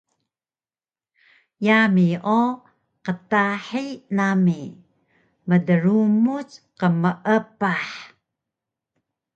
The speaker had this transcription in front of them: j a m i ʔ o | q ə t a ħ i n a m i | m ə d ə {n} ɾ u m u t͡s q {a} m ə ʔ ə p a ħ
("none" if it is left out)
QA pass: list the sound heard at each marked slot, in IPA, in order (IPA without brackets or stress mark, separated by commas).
none, ə